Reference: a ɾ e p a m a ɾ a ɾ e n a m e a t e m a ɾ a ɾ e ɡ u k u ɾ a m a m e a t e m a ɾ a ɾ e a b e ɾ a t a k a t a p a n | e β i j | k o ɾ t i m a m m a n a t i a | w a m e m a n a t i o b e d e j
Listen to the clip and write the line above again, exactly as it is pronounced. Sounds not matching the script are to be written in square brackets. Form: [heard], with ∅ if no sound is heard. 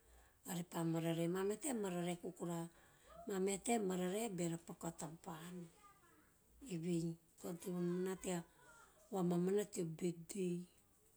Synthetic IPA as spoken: a ɾ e p a m a ɾ a ɾ e [m] a m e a t e m a ɾ a ɾ e [k] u k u ɾ a m a m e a t e m a ɾ a ɾ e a b e ɾ a [p] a k a t a p a n | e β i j | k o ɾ t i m a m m a n a t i a | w a m [a] m a n a t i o b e d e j